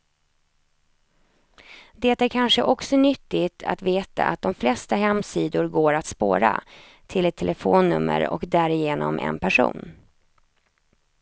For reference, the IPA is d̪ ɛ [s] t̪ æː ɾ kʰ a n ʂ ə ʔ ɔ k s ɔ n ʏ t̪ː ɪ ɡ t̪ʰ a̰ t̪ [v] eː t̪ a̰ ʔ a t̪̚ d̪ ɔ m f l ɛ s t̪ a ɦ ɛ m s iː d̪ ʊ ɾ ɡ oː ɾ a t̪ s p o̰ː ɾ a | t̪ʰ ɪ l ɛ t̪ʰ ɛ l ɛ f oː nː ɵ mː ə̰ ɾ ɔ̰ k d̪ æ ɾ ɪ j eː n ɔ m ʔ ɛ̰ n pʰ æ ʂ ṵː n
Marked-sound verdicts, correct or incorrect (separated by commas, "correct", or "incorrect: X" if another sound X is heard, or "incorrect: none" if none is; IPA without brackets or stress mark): incorrect: none, correct